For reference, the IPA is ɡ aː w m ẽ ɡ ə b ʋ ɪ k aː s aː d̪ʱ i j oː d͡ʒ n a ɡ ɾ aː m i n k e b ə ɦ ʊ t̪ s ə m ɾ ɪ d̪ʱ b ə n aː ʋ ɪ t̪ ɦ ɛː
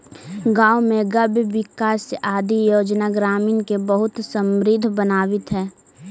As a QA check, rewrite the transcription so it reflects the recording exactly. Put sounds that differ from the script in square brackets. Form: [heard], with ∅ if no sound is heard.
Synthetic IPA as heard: ɡ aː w m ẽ ɡ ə b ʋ ɪ k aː s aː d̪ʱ i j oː d͡ʒ n a ɡ ɾ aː m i n k e b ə ɦ ʊ t̪ s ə m ɾ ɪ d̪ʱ b ə n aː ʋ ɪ t̪ ɦ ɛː